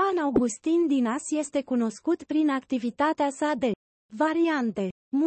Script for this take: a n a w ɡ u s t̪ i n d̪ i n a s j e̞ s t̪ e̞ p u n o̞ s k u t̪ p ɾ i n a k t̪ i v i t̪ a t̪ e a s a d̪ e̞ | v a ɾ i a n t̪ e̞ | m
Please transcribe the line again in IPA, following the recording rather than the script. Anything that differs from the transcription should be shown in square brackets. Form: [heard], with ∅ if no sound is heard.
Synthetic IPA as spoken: a n a w ɡ u s t̪ i n d̪ i n a s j e̞ s t̪ e̞ [k] u n o̞ s k u t̪ p ɾ i n a k t̪ i v i t̪ a t̪ e a s a d̪ e̞ | v a ɾ i a n t̪ e̞ | m